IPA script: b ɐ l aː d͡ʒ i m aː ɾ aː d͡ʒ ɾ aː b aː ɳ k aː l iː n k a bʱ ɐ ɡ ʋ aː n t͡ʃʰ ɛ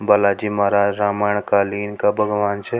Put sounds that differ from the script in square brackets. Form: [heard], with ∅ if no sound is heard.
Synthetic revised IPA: b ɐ l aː d͡ʒ i m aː ɾ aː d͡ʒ ɾ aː [m] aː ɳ k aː l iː n k a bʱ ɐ ɡ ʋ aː n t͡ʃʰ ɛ